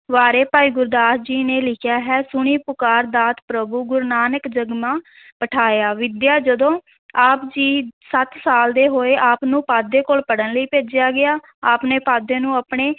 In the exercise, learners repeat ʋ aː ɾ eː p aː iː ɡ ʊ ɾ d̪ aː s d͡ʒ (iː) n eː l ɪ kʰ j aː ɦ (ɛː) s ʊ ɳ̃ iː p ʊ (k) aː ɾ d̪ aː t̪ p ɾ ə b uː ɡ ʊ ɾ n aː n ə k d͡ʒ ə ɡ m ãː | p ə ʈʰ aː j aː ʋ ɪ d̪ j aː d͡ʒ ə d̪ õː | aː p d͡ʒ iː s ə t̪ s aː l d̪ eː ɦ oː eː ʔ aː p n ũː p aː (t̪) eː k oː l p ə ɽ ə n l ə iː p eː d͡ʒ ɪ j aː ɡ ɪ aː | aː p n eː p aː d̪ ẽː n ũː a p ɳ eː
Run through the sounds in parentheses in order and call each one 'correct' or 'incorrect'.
correct, correct, correct, incorrect: d̪

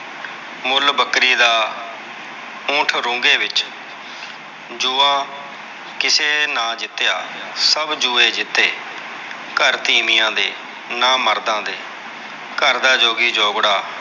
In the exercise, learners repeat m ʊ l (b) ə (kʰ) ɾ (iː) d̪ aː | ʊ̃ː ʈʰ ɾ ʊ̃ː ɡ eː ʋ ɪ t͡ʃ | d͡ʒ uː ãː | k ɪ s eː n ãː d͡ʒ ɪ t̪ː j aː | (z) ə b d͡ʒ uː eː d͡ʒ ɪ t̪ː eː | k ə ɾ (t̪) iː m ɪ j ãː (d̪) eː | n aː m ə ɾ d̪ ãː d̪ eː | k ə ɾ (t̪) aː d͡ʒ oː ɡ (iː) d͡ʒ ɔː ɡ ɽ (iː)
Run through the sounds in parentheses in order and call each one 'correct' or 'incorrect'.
correct, incorrect: k, correct, incorrect: s, correct, correct, incorrect: d̪, correct, incorrect: aː

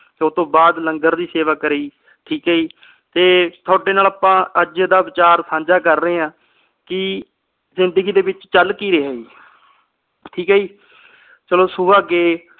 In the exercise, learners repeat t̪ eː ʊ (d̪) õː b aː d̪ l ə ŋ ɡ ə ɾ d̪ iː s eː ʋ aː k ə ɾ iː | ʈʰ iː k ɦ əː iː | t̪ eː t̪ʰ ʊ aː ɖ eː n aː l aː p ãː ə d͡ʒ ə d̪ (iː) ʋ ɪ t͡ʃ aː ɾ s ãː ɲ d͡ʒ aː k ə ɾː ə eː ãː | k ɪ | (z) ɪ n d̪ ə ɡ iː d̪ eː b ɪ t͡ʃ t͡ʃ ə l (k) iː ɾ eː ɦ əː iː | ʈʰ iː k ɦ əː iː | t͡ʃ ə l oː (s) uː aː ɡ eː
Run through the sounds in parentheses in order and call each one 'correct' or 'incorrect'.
incorrect: t̪, incorrect: aː, correct, correct, correct

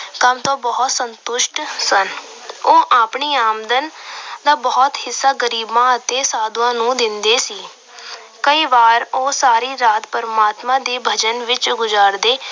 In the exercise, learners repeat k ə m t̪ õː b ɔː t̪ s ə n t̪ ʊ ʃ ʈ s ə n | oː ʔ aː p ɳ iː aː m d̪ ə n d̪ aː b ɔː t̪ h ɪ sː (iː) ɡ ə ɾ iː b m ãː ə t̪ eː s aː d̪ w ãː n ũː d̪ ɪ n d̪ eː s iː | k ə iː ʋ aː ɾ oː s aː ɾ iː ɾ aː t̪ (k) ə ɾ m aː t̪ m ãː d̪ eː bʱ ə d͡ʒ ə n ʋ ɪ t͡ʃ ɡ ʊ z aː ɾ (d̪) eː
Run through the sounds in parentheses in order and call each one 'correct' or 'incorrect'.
incorrect: aː, incorrect: p, correct

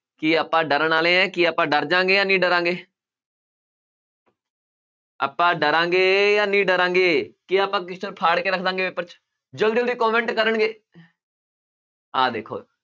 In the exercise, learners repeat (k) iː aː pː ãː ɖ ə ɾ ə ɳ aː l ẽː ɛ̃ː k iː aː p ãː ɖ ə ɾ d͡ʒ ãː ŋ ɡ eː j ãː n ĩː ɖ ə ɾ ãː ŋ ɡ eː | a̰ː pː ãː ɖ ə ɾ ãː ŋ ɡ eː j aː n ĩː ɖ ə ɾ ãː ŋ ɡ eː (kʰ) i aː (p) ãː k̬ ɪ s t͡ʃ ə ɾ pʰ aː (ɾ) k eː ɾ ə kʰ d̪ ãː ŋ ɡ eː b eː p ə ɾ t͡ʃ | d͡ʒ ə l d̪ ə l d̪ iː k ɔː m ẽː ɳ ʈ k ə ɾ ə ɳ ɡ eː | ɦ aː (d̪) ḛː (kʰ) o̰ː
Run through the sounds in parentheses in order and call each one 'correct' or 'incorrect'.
correct, incorrect: k, correct, incorrect: ɽ, correct, correct

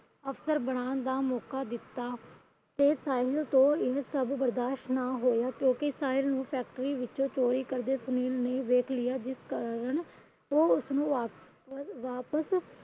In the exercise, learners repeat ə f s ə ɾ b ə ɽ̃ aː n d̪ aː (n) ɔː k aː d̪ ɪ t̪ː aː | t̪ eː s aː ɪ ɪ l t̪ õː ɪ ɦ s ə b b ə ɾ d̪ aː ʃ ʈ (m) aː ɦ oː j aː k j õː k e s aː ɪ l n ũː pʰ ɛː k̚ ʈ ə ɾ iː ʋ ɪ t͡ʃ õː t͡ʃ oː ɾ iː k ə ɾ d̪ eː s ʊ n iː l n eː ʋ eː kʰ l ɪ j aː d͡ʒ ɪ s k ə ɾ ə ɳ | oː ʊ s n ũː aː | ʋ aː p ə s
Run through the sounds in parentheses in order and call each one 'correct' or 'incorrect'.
incorrect: m, incorrect: n

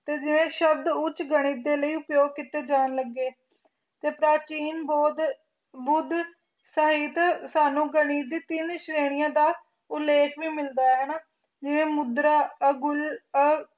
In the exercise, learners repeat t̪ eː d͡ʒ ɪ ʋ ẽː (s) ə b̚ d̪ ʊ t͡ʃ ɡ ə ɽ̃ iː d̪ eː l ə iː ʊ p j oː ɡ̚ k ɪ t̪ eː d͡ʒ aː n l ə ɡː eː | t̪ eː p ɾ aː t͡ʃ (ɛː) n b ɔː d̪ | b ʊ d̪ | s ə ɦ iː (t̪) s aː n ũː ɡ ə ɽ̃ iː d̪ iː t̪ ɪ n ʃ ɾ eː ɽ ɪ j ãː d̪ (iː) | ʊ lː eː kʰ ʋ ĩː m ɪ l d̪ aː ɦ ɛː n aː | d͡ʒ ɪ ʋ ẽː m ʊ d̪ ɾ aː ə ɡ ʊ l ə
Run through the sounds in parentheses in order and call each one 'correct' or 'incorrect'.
incorrect: ʃ, incorrect: iː, correct, incorrect: aː

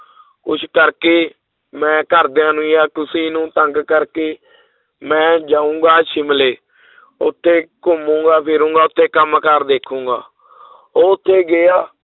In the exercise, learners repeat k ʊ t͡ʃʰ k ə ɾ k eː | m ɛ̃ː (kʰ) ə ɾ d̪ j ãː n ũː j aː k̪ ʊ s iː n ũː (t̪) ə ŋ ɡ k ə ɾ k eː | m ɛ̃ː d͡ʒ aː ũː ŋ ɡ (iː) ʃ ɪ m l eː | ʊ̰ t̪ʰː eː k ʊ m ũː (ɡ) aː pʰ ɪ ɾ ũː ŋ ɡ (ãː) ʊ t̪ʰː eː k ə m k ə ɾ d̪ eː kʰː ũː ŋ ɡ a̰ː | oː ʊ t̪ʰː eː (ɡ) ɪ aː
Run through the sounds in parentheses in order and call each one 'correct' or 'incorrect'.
incorrect: k, correct, incorrect: aː, correct, incorrect: aː, correct

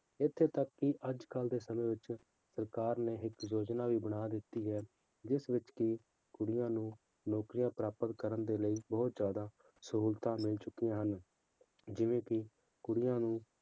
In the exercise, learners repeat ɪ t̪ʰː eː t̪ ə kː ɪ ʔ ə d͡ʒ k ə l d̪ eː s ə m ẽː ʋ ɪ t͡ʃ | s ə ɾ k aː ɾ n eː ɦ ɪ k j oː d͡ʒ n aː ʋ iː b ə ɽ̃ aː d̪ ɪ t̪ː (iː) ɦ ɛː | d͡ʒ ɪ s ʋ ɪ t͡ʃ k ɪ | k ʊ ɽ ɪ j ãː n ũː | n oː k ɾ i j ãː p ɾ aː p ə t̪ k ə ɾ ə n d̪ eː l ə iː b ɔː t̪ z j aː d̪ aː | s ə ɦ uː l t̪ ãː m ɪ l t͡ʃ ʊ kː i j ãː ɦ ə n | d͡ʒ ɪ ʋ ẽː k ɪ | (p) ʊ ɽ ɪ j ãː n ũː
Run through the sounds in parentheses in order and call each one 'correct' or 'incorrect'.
correct, incorrect: k

